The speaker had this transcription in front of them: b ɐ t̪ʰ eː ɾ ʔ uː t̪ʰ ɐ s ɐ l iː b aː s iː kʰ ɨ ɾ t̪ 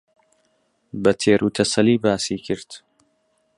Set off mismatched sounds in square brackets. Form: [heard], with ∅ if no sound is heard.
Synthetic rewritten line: b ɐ t̪ʰ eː ɾ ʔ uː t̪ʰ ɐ s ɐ l iː b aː s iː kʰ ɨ ɾ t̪